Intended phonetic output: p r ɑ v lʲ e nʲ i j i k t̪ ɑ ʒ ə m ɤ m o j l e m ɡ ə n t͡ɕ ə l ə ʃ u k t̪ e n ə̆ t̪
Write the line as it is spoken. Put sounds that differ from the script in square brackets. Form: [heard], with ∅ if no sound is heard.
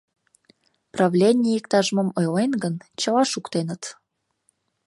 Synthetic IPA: p r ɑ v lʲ e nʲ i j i k t̪ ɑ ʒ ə m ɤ m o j l e [n] ɡ ə n t͡ɕ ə l [ɑ] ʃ u k t̪ e n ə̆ t̪